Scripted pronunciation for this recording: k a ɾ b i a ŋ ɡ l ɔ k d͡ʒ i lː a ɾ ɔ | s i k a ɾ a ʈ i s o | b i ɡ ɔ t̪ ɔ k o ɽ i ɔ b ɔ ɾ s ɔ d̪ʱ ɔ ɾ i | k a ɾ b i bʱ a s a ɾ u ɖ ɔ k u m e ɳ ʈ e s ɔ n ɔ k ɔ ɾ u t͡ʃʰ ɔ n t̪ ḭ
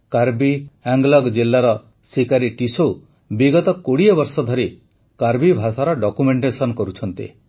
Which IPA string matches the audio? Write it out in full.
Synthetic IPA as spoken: k a ɾ b i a ŋ ɡ l ɔ ɡ d͡ʒ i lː a ɾ ɔ | s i k a ɾ i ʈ i s o | b i ɡ ɔ t̪ ɔ k o ɽ i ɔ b ɔ ɾ s ɔ d̪ʱ ɔ ɾ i | k a ɾ b i bʱ a s a ɾ ɔ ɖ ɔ k u m e ɳ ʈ e s ɔ n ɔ k ɔ ɾ u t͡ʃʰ ɔ n t̪ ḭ

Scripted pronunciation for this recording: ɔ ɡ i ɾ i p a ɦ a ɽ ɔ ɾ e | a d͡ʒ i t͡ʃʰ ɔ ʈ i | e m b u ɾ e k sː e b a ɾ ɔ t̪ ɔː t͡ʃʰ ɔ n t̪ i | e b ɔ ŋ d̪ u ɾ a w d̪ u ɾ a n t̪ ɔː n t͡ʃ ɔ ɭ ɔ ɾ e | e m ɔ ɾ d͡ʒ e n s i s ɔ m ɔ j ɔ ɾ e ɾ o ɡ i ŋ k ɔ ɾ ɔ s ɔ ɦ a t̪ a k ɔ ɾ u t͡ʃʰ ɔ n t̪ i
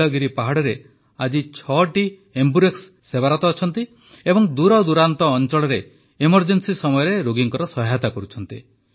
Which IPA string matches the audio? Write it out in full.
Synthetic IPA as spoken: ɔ ɡ i ɾ i p a ɦ a ɽ ɔ ɾ e | a d͡ʒ i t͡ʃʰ ɔ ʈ i | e m b u ɾ e k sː e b a ɾ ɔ t̪ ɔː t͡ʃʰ ɔ n t̪ i | e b ɔ ŋ d̪ u ɾ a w d̪ u ɾ a n t̪ ɔː n t͡ʃ ɔ ɭ ɔ ɾ e | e m ɔ ɾ d͡ʒ e n s i s ɔ m ɔ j ɔ ɾ e ɾ o ɡ i ŋ k ɔ ɾ ɔ s ɔ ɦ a t̪ a k ɔ ɾ u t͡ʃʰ ɔ n t̪ i

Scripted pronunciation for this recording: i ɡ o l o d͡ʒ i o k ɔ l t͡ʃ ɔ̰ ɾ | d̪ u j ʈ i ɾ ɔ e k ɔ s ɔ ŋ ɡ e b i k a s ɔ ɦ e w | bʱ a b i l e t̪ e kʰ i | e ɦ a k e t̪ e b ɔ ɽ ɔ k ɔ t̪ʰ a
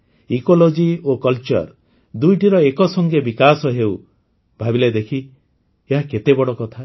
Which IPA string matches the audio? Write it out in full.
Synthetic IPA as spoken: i k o l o d͡ʒ i o k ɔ l t͡ʃ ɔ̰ ɾ | d̪ u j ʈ i ɾ ɔ e k ɔ s ɔ ŋ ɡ e b i k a s ɔ ɦ e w | bʱ a b i l e d̪ e kʰ i | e ɦ a k e t̪ e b ɔ ɽ ɔ k ɔ t̪ʰ a

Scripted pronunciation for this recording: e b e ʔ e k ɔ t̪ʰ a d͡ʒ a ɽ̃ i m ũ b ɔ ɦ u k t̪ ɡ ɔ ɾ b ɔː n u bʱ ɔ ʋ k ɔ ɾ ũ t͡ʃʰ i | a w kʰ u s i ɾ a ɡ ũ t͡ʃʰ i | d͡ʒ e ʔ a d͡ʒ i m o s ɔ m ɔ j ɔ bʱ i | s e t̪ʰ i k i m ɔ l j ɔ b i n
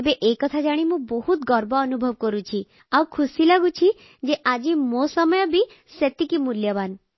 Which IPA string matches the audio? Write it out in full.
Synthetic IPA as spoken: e b e ʔ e k ɔ t̪ʰ a d͡ʒ a ɽ̃ i m ũ b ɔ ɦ u t̪ ɡ ɔ ɾ b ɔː n u bʱ ɔ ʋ k ɔ ɾ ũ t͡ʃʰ i | a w kʰ u s i l a ɡ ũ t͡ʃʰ i | d͡ʒ e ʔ a d͡ʒ i m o s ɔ m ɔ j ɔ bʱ i | s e t̪ i k i m u l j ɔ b a n

